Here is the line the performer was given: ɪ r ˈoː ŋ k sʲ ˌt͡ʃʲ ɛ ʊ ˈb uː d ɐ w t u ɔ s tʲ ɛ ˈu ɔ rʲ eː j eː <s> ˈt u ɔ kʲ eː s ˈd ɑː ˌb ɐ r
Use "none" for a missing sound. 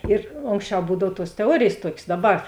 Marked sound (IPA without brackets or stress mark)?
s